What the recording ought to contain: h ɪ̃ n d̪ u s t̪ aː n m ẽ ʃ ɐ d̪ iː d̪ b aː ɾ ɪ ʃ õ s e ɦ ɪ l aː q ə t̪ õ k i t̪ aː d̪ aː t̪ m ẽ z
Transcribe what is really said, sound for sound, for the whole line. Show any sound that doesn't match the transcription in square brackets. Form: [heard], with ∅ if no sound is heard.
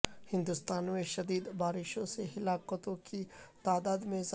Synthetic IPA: h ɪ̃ n d̪ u s t̪ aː n m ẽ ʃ ɐ d̪ iː d̪ b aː ɾ ɪ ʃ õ s e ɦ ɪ l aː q ə t̪ õ k i t̪ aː d̪ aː [d̪] m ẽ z

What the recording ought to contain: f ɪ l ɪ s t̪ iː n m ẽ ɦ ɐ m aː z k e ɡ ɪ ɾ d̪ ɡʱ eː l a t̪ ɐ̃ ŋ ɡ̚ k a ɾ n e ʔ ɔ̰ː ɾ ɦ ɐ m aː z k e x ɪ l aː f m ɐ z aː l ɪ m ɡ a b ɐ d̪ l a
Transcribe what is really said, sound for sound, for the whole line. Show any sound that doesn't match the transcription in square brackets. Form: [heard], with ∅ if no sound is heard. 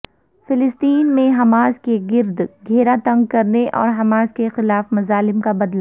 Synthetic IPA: f ɪ l ɪ s t̪ iː n m ẽ ɦ ɐ m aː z k e ɡ ɪ ɾ d̪ ɡʱ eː [ɾ] a t̪ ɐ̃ ŋ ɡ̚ k [ɐ] ɾ n e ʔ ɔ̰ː ɾ ɦ ɐ m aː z k e x ɪ l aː f m ɐ z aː l ɪ m [k] a b ɐ d̪ l a

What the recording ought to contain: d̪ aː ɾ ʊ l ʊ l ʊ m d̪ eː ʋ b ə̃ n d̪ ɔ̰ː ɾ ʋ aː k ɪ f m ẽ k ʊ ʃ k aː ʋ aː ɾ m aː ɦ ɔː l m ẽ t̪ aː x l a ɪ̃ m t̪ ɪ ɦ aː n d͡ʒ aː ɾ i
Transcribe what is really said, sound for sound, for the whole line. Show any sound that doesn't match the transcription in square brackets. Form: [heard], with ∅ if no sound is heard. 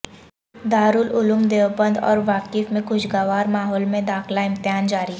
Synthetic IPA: d̪ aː ɾ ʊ l ʊ l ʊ m d̪ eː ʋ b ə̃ n d̪ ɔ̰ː ɾ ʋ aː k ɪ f m ẽ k ʊ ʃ [ɡ] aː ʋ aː ɾ m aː ɦ ɔː l m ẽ [d̪] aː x l a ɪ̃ m t̪ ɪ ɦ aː n d͡ʒ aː ɾ i

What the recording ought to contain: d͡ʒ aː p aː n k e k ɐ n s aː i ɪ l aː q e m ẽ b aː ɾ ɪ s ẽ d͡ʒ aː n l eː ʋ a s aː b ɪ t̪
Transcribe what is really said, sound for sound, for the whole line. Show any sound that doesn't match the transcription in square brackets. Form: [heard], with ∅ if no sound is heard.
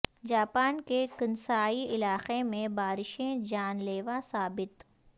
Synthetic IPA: d͡ʒ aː p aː n k e k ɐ n s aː i ɪ l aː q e m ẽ b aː ɾ ɪ [ʃ] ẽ d͡ʒ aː n l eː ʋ a s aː b ɪ t̪

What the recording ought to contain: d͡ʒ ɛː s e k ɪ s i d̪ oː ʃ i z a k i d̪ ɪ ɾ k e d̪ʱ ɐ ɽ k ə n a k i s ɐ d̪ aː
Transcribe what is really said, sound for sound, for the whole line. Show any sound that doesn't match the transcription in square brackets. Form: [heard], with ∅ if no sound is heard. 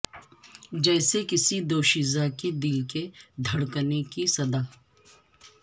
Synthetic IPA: d͡ʒ ɛː s e k ɪ s i d̪ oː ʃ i z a k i d̪ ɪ [l] k e d̪ʱ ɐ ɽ k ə n [e] k i s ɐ d̪ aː

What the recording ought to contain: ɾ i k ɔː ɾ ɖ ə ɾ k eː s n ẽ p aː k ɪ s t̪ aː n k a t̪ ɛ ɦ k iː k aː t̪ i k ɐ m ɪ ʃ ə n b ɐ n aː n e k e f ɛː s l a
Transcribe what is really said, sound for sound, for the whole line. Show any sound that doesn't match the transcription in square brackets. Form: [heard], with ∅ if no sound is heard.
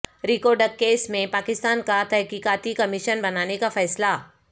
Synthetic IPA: ɾ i k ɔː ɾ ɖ ə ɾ k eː s [m] ẽ p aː k ɪ s t̪ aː n k a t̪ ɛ ɦ k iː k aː t̪ i k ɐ m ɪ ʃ ə n b ɐ n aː n e k [a] f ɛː s l a

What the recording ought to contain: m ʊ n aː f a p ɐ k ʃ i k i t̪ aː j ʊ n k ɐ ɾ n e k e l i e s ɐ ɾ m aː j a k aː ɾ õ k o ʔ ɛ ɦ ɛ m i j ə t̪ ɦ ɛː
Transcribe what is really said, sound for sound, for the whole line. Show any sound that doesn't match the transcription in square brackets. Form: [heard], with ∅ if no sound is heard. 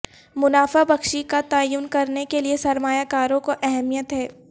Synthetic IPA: m ʊ n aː f a [b] ɐ k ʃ i k [a] t̪ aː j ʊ n k ɐ ɾ n e k e l i e s ɐ ɾ m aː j a k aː ɾ õ k o ʔ ɛ ɦ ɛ m i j ə t̪ ɦ ɛː

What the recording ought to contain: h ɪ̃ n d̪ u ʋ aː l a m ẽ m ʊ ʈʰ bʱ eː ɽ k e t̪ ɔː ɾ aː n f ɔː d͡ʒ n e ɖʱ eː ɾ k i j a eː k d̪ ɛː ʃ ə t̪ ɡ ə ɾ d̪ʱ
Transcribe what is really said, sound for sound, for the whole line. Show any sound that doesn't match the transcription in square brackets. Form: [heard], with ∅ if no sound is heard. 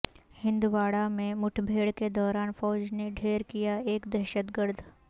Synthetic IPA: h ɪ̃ n d̪ u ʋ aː [ɽ] a m ẽ m ʊ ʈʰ bʱ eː ɽ k e [d̪] ɔː ɾ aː n f ɔː d͡ʒ n e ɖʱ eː ɾ k i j a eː k d̪ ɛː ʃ ə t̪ ɡ ə ɾ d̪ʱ

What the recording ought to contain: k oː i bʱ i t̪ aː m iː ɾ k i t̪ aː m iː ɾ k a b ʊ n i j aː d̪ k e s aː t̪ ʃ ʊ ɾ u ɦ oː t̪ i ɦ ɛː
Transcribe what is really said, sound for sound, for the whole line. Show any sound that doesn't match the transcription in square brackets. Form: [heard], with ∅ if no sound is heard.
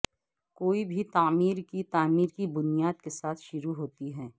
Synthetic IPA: k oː i bʱ i t̪ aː m iː ɾ k i t̪ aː m iː ɾ k [i] b ʊ n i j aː d̪ k e s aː [t̪ʰ] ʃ ʊ ɾ u ɦ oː t̪ i ɦ ɛː

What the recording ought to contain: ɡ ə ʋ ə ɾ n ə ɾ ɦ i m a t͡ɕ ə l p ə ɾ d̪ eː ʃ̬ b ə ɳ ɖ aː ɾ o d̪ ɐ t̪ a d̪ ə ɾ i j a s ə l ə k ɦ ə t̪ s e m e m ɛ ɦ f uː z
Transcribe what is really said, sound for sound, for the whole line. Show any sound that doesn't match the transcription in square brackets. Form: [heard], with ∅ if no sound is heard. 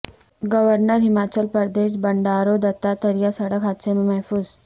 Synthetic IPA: ɡ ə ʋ ə ɾ n ə ɾ ɦ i m a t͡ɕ ə l p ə ɾ d̪ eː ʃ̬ b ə ɳ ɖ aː ɾ o d̪ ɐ t̪ a [t̪] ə ɾ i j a s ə [ɽ] ə k ɦ [a] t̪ s e m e m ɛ ɦ f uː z

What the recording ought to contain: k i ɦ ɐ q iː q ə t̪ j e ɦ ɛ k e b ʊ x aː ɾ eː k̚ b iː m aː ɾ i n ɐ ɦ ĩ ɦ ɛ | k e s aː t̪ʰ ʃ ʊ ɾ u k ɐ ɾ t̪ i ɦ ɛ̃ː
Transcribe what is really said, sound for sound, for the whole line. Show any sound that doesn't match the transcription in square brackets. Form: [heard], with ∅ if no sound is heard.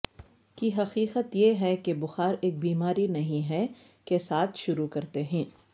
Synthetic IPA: k i ɦ ɐ q iː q ə t̪ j e ɦ ɛ k e b ʊ x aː ɾ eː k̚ b iː m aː ɾ i n ɐ ɦ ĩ ɦ ɛ | k e s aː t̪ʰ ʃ ʊ ɾ u k ɐ ɾ t̪ [e] ɦ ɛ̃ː

